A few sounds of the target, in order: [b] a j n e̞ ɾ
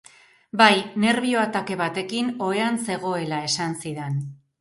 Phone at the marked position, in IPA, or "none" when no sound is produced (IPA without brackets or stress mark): b